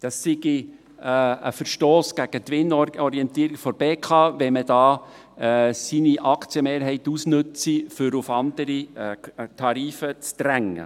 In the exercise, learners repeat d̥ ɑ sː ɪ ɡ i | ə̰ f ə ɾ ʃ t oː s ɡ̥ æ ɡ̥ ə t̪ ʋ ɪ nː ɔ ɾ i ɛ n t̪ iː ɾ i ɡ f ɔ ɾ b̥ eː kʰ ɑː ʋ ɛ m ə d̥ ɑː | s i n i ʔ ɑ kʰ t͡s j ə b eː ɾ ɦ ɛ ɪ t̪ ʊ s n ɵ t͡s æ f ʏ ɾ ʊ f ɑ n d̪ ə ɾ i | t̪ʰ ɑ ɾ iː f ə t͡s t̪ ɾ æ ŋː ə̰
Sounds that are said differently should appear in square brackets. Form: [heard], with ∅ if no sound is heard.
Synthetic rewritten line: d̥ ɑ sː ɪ ɡ i | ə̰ f ə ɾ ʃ t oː s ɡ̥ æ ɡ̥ ə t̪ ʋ ɪ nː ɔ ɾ i ɛ n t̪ iː ɾ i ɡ f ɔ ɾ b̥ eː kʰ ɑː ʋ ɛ m ə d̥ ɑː | s i n i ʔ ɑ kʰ t͡s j ə [m] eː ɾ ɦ ɛ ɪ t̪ [u] s n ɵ t͡s [i] f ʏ ɾ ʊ f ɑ n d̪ ə ɾ i | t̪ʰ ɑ ɾ iː f ə t͡s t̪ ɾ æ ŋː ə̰